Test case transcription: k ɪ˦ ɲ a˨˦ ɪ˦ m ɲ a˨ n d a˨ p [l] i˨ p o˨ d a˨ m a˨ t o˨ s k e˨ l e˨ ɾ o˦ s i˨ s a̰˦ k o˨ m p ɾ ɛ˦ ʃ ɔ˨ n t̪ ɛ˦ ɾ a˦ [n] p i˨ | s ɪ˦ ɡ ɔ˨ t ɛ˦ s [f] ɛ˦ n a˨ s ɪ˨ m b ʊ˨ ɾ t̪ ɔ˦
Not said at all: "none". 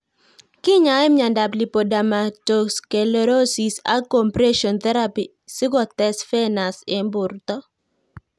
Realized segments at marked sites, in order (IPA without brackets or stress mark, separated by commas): l, none, f